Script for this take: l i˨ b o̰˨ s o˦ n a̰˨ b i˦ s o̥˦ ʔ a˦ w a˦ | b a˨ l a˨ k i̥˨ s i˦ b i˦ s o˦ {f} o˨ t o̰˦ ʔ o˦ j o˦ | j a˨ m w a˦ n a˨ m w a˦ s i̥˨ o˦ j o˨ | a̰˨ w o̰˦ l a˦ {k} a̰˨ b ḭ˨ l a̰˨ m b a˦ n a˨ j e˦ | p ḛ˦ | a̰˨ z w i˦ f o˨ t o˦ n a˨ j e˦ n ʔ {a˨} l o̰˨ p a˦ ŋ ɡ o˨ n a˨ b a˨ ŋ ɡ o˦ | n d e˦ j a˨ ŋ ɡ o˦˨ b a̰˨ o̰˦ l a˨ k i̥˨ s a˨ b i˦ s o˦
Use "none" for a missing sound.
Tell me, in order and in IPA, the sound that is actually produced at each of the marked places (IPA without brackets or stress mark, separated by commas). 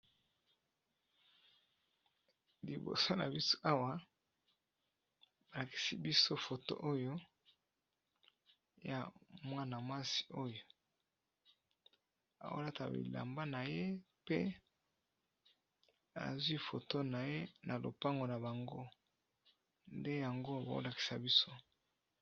f, t, a˨